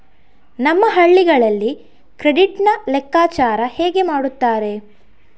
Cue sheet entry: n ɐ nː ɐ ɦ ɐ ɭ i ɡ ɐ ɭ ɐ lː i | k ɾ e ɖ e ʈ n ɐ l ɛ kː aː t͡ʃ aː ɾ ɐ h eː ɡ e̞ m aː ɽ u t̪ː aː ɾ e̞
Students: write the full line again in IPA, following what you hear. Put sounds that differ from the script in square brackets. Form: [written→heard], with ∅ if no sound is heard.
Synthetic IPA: n ɐ [nː→mː] ɐ ɦ ɐ [ɭ→ɭː] i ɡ ɐ ɭ ɐ lː i | k ɾ e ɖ [e→i] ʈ n ɐ l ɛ kː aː t͡ʃ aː ɾ ɐ h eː ɡ e̞ m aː ɽ u t̪ː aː ɾ e̞

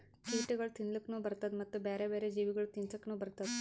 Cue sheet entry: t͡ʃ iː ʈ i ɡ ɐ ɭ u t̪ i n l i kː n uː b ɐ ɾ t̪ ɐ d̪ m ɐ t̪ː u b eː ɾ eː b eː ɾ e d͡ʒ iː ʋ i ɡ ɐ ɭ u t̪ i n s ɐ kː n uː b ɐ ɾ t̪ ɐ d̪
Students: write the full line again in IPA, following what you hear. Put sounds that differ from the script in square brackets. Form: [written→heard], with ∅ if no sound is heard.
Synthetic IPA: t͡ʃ iː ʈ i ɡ ɐ ɭ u t̪ i n l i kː n uː b ɐ ɾ t̪ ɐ d̪ m ɐ t̪ː u b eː ɾ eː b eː ɾ e d͡ʒ iː ʋ i ɡ ɐ ɭ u t̪ i n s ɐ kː n uː b ɐ ɾ t̪ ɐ d̪

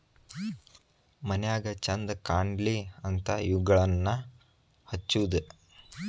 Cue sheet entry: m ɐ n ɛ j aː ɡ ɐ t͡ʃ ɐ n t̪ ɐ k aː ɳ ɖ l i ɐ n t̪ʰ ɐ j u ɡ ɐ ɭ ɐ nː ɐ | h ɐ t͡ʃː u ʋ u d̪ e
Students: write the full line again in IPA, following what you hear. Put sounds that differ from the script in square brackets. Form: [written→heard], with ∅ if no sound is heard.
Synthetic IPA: m ɐ n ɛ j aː ɡ ɐ t͡ʃ ɐ n [t̪→d̪] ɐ k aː ɳ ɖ l i ɐ n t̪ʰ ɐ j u ɡ ɐ ɭ ɐ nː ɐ | h ɐ t͡ʃː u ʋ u d̪ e

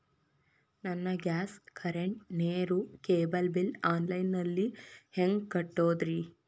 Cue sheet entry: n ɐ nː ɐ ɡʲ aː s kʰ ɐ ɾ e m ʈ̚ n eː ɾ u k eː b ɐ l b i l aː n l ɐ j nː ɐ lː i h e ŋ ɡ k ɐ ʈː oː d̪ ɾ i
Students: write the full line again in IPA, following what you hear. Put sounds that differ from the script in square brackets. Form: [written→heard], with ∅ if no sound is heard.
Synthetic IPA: n ɐ nː ɐ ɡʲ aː s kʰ ɐ ɾ e [m→ɳ] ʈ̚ n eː ɾ u k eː b ɐ l b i l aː n l ɐ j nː ɐ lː i h e ŋ ɡ k ɐ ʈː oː d̪ ɾ i

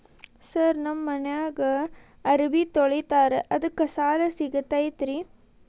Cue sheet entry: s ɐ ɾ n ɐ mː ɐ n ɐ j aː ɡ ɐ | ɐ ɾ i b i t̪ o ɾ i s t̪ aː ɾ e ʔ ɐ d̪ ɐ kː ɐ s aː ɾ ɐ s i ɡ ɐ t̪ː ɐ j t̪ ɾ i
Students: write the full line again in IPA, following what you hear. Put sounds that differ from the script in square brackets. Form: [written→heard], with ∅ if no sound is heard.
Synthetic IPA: s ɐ ɾ n ɐ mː ɐ n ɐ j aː ɡ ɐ | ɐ ɾ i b i t̪ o [ɾ→ɭ] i [s→∅] t̪ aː ɾ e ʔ ɐ d̪ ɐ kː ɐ s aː [ɾ→l] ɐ s i ɡ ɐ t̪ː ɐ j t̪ ɾ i

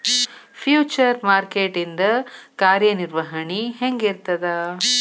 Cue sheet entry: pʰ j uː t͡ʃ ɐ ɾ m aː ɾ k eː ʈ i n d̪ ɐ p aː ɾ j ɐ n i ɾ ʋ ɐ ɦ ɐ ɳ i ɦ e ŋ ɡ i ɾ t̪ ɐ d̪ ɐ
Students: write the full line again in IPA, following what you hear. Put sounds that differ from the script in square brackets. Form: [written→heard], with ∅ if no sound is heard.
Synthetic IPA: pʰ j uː t͡ʃ ɐ ɾ m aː ɾ k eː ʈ i n d̪ ɐ [p→k] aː ɾ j ɐ n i ɾ ʋ ɐ ɦ ɐ ɳ i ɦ e ŋ ɡ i ɾ t̪ ɐ d̪ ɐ

